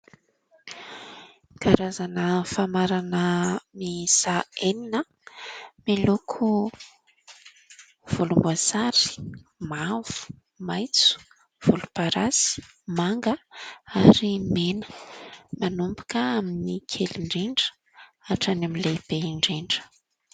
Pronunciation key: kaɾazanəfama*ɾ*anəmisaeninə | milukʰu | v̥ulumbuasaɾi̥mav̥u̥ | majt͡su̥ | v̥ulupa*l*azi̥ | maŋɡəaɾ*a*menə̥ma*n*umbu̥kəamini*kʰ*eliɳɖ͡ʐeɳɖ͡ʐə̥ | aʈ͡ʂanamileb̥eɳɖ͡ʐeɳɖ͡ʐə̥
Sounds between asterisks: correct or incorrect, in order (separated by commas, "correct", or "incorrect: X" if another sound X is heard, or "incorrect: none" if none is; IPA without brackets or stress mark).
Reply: correct, incorrect: ɾ, incorrect: i, correct, correct